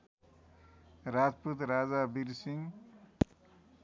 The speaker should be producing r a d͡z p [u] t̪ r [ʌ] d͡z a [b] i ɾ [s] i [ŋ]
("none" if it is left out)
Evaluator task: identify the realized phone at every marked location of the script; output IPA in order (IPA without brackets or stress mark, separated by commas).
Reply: u, a, b, s, ŋ